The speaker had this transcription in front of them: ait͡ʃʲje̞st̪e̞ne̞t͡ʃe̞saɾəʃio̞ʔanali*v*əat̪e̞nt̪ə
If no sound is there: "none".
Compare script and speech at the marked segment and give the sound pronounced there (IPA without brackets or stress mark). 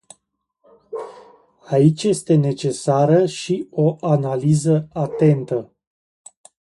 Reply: z